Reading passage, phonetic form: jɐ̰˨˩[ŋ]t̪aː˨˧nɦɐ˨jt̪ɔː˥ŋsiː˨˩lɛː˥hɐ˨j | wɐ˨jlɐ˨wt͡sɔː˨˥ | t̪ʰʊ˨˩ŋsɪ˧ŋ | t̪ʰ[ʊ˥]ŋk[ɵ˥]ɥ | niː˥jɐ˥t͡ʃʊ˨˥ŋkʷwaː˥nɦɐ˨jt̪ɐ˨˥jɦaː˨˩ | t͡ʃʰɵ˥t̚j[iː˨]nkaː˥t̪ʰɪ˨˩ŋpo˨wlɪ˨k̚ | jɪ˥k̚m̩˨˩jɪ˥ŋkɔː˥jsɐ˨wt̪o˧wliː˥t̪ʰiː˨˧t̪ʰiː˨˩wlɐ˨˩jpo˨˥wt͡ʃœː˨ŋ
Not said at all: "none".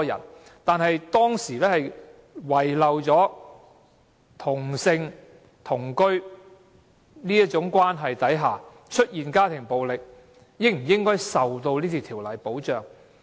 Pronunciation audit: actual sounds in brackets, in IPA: n, ʊ˨˩, ɵ˥, iː˨

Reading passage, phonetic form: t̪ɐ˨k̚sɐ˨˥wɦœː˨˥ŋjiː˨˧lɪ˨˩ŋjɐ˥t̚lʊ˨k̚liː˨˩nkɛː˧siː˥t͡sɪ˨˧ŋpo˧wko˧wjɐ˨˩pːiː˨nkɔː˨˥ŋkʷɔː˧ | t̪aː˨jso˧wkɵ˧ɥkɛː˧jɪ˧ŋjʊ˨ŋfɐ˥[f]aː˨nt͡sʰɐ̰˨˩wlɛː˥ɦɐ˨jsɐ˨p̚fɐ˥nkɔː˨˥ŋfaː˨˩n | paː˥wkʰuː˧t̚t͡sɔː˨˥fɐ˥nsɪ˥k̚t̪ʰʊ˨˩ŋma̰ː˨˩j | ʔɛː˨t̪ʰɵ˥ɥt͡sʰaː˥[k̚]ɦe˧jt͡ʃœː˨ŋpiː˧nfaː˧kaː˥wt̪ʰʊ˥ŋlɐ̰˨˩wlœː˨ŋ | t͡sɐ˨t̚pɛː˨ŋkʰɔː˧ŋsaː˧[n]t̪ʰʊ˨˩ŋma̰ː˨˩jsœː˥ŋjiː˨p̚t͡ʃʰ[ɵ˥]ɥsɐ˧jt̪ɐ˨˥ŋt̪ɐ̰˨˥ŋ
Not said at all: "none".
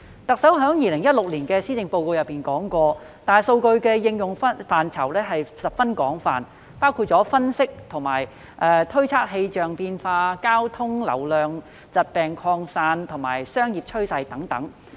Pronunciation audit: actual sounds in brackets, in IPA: f, k̚, n, ɵ˥

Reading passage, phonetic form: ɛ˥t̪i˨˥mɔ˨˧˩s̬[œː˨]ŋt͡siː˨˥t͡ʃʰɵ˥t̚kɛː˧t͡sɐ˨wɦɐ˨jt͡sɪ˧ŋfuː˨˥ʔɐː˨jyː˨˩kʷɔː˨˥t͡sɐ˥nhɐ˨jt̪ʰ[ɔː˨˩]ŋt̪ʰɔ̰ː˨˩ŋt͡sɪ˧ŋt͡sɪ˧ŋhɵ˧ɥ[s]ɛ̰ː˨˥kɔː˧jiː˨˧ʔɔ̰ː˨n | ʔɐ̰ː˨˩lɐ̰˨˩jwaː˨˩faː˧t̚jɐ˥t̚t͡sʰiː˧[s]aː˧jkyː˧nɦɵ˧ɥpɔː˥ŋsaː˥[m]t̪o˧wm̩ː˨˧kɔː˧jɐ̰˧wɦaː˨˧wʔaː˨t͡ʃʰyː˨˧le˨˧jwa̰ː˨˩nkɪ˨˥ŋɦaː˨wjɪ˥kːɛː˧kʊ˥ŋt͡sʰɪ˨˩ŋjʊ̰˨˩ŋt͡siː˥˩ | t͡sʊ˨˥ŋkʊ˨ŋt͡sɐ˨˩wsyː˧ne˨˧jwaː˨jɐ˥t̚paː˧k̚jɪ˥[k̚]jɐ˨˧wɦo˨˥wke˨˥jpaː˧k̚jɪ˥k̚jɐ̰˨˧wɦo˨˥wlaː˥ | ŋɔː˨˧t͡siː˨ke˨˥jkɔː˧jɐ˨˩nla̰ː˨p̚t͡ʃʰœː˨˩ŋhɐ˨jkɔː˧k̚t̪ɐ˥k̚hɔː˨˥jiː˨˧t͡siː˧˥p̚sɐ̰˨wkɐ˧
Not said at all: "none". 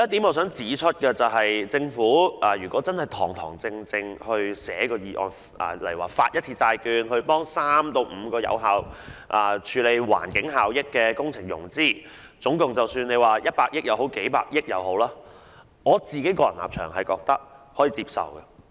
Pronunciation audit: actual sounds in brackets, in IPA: œː˨˥, ɔː˨˩, s, t͡s, m, k̚

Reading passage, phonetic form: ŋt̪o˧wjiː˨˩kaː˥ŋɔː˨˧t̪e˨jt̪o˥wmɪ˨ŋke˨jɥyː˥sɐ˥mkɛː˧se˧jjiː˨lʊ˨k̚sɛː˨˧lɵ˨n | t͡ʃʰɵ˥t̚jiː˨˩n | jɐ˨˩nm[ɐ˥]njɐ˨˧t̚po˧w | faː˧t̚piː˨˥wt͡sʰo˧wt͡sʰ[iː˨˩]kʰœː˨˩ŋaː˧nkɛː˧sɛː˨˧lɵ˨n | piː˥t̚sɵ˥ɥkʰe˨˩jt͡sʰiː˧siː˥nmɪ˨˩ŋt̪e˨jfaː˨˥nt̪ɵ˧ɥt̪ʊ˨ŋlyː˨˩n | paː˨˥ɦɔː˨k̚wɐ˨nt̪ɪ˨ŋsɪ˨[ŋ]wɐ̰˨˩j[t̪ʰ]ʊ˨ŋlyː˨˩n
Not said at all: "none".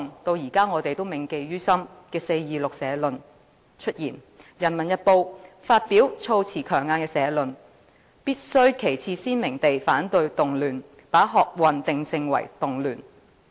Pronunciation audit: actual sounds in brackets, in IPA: ɐ˨˩, iː˨˩, ŋ, t̪

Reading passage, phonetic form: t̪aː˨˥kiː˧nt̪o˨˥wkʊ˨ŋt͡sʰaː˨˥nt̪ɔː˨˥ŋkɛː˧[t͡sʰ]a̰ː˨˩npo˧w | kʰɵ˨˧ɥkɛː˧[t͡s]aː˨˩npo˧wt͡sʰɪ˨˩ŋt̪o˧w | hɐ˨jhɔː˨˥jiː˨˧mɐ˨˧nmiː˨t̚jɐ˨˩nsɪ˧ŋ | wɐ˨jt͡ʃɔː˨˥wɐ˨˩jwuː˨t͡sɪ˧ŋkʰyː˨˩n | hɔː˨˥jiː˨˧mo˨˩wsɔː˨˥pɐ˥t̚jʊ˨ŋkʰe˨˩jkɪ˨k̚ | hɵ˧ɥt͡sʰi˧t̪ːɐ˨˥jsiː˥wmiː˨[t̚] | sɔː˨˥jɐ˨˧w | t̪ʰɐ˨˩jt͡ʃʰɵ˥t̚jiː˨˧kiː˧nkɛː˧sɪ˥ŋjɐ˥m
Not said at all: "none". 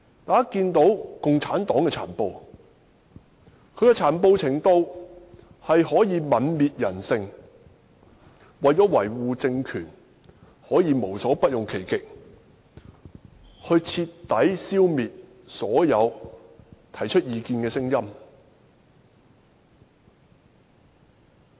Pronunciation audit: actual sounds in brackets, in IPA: t͡sʰ, t͡sʰ, t̚

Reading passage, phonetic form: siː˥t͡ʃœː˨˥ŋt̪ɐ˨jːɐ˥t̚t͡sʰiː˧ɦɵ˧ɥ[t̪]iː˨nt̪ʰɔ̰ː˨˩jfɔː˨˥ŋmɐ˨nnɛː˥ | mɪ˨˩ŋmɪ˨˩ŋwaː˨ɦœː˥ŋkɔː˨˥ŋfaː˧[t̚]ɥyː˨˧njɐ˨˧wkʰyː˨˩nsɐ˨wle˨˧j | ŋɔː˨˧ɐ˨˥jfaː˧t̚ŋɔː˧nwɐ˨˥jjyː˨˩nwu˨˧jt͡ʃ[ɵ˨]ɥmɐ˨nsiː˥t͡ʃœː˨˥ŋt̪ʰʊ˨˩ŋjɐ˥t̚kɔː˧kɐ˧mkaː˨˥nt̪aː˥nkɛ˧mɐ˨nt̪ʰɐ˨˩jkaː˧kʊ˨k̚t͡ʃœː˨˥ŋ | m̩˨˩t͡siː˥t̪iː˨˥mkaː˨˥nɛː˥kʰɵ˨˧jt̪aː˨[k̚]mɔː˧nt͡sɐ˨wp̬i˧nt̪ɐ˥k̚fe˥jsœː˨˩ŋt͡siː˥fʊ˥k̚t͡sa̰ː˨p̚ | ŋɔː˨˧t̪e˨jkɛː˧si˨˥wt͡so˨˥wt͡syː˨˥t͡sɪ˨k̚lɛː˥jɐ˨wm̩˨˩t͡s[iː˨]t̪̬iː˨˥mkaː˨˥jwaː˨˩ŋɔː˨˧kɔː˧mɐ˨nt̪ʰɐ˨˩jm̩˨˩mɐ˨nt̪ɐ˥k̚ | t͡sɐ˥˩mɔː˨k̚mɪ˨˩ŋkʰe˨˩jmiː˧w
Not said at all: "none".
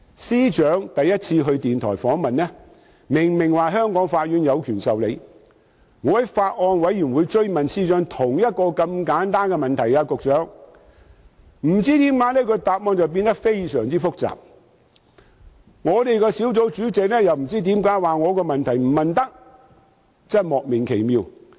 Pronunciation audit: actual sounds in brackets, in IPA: t̪, t̚, ɵ˥, p̚, iː˥

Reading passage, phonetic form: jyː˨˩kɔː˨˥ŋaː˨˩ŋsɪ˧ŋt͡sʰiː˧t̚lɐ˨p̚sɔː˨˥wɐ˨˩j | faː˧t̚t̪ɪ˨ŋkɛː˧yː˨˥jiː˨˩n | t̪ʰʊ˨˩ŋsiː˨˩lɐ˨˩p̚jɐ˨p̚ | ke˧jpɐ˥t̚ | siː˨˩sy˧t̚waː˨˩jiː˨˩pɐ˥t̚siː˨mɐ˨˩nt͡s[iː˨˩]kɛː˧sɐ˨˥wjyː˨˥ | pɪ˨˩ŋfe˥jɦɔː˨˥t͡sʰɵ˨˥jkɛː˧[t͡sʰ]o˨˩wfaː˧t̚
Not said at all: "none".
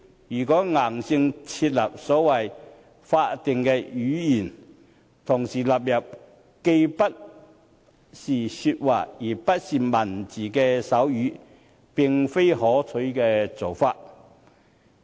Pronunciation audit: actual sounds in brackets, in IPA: iː˨˩, t͡s

